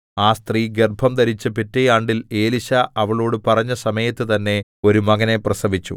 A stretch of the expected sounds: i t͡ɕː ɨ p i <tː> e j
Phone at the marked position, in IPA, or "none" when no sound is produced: tː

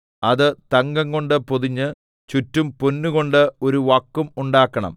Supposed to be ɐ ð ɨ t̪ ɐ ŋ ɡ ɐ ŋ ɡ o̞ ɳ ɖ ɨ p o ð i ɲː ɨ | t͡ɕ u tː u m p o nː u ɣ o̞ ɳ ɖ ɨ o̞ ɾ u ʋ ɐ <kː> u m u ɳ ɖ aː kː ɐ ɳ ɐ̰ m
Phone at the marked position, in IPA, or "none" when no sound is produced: kː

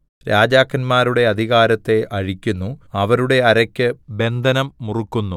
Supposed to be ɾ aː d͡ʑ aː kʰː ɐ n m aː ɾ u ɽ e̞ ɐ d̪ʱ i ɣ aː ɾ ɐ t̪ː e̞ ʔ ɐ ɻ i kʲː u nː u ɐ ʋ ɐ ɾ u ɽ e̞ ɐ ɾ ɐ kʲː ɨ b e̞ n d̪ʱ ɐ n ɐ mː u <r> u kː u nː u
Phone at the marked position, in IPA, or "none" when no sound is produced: r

